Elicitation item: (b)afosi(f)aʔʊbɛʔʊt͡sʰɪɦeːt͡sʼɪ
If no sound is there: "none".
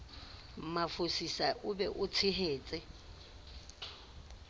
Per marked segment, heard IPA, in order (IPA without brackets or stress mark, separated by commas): m, s